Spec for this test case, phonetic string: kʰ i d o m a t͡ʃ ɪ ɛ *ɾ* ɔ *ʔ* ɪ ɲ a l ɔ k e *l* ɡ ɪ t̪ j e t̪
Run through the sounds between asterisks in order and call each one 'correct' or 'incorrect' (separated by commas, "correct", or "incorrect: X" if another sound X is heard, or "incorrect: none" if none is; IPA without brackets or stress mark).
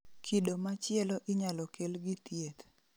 incorrect: l, correct, correct